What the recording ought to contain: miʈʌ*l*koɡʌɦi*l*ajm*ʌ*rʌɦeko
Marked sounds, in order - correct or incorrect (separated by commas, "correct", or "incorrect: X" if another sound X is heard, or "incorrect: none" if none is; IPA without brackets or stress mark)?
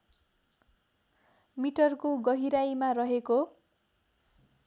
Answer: incorrect: r, incorrect: ɾ, incorrect: a